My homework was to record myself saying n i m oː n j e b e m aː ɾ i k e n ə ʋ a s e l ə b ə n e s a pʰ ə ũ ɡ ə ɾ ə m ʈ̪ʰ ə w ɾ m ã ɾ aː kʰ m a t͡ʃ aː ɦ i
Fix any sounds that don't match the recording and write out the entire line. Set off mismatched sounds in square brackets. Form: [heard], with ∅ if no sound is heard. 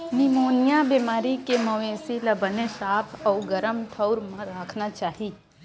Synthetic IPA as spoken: n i m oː n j [a] b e m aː ɾ i k e [m] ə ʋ [e] s [i] l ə b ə n e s a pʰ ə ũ ɡ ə ɾ ə m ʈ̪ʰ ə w ɾ m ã ɾ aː kʰ [n] a t͡ʃ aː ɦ i